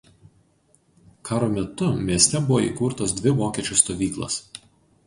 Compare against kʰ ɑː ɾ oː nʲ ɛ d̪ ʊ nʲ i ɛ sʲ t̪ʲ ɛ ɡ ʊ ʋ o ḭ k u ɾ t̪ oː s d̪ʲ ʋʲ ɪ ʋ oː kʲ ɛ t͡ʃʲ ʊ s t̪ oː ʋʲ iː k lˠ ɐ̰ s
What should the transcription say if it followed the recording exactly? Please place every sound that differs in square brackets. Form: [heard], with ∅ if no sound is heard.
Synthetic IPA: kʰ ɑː ɾ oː [mʲ] ɛ [t̪] ʊ [mʲ] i ɛ sʲ t̪ʲ ɛ [b] ʊ ʋ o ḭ k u ɾ t̪ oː s d̪ʲ ʋʲ ɪ ʋ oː kʲ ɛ t͡ʃʲ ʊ s t̪ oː ʋʲ iː k lˠ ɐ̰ s